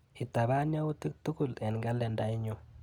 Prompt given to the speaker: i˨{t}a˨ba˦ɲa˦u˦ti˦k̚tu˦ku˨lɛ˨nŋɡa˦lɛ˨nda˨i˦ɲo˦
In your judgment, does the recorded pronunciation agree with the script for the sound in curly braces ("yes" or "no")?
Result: yes